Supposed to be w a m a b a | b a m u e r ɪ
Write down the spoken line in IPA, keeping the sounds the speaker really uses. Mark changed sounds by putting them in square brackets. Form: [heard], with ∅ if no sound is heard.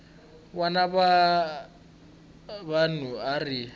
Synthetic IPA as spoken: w a [n] a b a | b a [n] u [a] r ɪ